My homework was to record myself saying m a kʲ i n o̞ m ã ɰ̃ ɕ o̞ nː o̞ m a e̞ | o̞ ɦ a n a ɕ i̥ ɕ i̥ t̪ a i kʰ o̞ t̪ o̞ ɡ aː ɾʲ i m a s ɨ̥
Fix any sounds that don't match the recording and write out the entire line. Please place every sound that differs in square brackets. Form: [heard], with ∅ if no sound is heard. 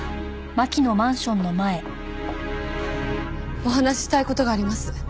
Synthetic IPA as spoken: m a kʲ i n o̞ m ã ɰ̃ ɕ [õ̞] nː o̞ m a e̞ | o̞ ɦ a n a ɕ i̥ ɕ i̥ t̪ a i [k] o̞ t̪ o̞ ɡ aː ɾʲ i m a s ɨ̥